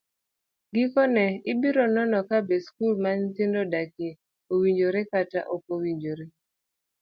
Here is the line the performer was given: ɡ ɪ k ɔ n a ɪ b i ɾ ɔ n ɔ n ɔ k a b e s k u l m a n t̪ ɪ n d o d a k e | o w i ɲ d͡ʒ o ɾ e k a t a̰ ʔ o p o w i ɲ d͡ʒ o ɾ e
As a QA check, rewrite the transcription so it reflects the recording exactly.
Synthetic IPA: ɡ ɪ k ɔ n ɛ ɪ b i ɾ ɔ n ɔ n ɔ k a b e s k u l m a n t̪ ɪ n d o d a k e | o w i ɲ d͡ʒ o ɾ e k a t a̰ ʔ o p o w i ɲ d͡ʒ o ɾ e